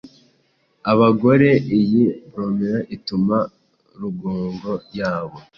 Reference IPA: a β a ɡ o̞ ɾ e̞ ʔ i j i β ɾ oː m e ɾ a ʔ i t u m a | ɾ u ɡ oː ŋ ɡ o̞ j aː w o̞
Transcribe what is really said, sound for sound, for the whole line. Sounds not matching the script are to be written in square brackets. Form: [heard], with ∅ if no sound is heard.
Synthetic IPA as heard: a β a ɡ o̞ ɾ e̞ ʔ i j i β ɾ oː m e ɾ a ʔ i t u m a | ɾ u ɡ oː ŋ ɡ o̞ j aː [β] o̞